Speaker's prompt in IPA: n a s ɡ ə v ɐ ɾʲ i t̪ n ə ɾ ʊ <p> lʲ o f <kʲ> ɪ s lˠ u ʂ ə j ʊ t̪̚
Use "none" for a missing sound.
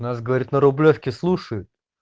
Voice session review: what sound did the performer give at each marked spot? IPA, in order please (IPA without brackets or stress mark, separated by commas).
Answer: b, kʲ